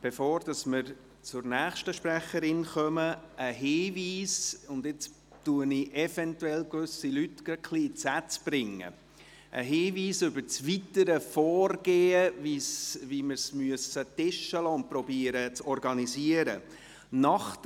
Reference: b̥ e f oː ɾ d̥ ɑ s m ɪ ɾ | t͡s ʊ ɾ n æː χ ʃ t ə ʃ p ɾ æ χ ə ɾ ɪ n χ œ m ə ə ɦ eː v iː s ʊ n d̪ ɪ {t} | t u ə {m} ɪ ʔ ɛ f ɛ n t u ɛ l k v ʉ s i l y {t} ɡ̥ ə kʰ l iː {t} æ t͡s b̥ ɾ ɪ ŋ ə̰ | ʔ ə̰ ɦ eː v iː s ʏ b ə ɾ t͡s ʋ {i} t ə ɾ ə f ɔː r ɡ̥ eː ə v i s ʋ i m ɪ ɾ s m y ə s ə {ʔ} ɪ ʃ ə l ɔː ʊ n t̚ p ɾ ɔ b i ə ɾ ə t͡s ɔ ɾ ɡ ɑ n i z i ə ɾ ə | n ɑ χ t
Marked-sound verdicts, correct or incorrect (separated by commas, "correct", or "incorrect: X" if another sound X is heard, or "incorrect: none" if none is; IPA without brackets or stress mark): incorrect: t͡s, incorrect: n, correct, incorrect: t͡s, correct, incorrect: t